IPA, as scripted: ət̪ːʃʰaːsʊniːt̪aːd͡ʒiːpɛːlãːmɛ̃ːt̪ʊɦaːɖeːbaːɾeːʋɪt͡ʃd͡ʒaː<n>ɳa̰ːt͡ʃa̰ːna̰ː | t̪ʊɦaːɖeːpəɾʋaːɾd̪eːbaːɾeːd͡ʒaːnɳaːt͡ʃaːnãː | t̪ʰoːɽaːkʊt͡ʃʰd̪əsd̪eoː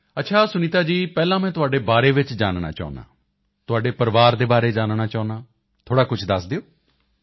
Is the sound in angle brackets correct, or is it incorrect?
correct